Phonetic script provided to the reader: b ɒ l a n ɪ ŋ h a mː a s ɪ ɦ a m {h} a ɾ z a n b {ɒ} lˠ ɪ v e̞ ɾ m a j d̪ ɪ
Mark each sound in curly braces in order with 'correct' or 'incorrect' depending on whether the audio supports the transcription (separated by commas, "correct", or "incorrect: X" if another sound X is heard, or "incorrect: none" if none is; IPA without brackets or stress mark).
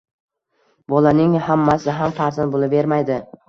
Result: incorrect: f, incorrect: o